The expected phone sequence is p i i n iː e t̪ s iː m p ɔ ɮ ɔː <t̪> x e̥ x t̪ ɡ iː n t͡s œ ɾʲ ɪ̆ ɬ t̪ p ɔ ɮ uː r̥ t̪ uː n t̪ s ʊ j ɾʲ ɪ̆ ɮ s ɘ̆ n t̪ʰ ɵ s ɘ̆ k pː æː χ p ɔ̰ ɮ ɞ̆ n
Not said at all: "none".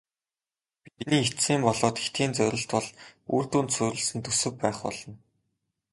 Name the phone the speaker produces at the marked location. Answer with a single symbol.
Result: t̪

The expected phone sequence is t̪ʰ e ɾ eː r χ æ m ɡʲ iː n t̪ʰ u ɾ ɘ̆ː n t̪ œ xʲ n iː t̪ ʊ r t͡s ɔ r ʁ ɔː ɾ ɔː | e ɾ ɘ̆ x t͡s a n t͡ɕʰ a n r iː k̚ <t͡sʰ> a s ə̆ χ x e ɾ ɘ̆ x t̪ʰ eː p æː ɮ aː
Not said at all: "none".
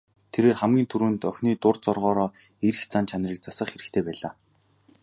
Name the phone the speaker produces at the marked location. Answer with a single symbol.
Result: t͡s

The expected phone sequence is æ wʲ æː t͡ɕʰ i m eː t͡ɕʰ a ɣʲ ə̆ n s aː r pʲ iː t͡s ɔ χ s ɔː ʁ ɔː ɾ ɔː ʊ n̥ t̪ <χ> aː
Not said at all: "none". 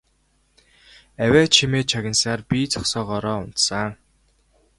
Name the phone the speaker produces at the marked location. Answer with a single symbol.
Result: s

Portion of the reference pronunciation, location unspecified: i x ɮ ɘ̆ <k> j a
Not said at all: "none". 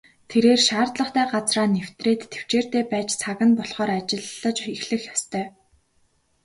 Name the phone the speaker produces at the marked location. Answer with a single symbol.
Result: x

